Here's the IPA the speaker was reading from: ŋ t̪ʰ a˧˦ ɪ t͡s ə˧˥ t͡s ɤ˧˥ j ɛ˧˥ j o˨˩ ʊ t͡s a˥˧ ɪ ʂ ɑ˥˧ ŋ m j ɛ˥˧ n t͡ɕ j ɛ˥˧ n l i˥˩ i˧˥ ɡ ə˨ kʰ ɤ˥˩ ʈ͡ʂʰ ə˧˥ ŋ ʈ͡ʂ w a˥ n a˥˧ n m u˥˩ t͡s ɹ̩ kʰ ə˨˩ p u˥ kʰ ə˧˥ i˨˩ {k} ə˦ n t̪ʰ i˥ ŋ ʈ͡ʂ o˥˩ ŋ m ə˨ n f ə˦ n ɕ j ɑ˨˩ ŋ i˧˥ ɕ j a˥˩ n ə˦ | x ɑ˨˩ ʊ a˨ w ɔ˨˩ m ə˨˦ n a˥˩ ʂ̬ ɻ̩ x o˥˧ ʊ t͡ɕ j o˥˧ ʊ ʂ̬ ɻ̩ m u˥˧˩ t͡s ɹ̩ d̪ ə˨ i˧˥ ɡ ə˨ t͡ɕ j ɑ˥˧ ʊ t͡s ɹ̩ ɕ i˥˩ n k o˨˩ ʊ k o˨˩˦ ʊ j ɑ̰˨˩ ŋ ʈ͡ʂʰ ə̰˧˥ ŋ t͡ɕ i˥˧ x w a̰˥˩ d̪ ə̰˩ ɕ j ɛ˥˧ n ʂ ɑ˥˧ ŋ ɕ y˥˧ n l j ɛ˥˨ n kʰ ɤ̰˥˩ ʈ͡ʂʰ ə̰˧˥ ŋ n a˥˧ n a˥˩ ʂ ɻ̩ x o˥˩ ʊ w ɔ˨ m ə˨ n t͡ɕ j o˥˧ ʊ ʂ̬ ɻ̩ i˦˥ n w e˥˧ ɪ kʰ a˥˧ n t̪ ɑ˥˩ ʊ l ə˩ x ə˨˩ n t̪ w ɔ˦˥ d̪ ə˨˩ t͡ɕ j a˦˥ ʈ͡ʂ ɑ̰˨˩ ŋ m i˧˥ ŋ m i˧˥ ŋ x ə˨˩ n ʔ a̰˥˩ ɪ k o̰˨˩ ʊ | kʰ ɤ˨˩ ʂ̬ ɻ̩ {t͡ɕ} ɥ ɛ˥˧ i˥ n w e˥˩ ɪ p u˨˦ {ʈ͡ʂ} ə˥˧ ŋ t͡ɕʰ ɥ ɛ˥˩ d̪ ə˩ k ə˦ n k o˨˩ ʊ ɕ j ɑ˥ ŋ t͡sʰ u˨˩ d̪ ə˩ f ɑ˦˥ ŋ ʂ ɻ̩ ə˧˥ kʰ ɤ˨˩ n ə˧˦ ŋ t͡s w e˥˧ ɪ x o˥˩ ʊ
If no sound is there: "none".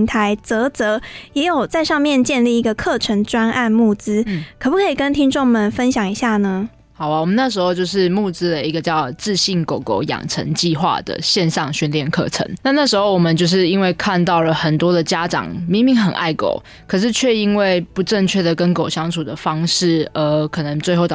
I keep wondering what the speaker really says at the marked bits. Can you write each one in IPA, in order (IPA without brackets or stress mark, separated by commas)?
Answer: k, t͡ɕʰ, ʈ͡ʂ